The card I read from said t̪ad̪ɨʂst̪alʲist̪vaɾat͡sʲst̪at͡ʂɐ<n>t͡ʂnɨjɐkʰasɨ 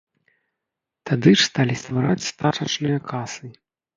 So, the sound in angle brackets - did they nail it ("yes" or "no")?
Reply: no